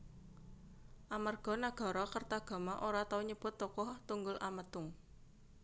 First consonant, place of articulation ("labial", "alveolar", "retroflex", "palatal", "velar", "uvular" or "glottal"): glottal